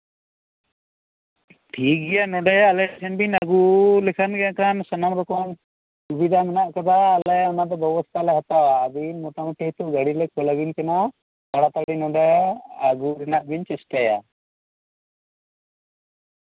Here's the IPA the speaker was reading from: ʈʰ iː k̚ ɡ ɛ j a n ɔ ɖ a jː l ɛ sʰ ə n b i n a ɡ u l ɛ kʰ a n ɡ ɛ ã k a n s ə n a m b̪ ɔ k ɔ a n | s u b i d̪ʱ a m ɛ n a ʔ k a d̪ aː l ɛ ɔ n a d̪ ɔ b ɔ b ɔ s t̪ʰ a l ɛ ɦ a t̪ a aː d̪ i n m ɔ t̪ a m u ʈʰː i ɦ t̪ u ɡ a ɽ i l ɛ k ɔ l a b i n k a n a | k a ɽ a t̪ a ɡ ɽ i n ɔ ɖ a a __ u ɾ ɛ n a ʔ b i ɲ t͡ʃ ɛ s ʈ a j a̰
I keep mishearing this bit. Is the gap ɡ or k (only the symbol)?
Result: ɡ